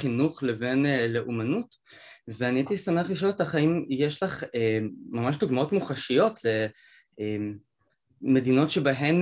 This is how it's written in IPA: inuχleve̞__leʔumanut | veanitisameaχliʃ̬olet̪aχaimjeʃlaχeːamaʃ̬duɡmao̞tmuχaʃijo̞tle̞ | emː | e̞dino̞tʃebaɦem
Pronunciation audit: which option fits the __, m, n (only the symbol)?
n